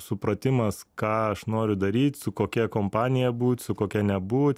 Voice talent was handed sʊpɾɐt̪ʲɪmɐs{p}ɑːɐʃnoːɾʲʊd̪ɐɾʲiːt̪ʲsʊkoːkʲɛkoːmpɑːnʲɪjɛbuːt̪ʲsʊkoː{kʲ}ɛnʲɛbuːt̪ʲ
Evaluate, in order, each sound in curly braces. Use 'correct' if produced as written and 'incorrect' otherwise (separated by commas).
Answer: incorrect, correct